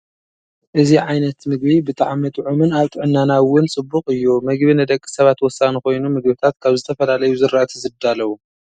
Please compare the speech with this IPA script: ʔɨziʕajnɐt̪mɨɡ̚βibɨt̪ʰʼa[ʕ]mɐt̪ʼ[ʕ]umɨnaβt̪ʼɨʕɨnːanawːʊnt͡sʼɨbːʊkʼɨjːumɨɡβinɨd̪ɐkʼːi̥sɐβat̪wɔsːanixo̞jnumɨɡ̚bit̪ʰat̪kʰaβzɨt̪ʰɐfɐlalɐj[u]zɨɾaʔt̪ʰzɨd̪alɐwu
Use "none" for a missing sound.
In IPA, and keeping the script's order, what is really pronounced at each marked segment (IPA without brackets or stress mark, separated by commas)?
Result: ʕ, ʕ, u